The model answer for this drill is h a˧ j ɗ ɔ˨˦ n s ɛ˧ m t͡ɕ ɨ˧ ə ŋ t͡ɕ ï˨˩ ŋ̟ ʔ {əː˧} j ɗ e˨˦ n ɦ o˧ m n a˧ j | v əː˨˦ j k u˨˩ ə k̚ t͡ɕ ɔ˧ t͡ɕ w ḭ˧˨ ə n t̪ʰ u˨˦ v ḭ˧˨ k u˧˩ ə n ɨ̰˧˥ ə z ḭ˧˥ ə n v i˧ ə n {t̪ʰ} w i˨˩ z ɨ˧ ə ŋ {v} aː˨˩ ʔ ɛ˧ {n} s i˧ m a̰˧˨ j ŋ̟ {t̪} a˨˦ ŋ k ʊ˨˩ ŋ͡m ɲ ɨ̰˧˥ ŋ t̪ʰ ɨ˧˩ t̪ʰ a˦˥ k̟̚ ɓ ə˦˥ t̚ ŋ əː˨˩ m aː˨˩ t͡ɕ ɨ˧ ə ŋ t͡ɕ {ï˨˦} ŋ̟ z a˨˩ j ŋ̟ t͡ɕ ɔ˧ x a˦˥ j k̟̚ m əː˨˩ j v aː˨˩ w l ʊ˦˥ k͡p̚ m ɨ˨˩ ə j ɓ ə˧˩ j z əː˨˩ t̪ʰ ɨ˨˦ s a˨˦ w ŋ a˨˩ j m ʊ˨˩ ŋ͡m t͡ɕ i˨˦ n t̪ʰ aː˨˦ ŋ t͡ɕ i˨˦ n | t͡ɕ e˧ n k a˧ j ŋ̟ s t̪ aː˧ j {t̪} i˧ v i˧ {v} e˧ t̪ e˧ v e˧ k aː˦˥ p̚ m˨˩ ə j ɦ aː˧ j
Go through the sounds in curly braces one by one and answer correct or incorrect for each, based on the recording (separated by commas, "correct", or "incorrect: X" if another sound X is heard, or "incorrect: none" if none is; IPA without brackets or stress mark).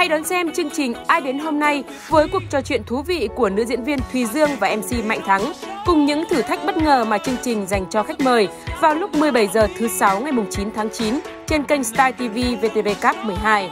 incorrect: aː˧, correct, correct, incorrect: m, incorrect: t̪ʰ, incorrect: ï˨˩, correct, correct